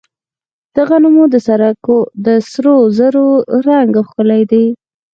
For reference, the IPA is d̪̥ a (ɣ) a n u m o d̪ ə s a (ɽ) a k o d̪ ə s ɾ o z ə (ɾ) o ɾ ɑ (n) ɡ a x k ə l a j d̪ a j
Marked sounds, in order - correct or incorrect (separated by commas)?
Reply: correct, incorrect, correct, incorrect